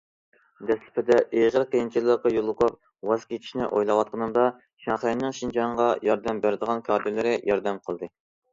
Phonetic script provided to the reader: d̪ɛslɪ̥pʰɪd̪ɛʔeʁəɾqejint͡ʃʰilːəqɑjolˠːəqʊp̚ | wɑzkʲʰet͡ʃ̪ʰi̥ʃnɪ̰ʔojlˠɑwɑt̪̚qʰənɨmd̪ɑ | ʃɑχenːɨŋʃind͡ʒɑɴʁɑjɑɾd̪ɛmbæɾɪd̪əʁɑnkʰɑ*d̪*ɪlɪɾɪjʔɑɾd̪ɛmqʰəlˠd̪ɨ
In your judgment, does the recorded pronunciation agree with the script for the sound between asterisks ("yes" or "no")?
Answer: yes